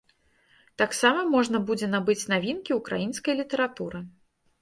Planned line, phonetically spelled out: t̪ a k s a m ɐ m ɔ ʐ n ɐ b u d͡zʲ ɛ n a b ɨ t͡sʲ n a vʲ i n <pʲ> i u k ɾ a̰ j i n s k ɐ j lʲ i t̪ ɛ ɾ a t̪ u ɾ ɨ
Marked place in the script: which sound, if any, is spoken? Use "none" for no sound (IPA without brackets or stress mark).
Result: kʲ